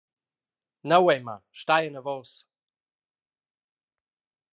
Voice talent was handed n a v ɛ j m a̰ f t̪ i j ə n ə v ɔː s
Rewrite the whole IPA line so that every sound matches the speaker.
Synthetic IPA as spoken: n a w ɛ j m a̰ ʃ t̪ a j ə n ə v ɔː s